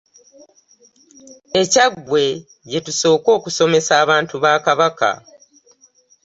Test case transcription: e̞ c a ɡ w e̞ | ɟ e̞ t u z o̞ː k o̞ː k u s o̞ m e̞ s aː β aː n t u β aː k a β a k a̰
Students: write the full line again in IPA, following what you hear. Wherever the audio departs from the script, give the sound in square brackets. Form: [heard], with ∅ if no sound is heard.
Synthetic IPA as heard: e̞ c a ɡ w e̞ | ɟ e̞ t u [s] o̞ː k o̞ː k u s o̞ m e̞ s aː β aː n t u β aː k a β a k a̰